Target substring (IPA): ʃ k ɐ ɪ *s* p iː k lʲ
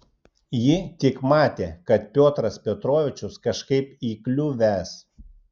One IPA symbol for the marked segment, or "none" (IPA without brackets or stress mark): none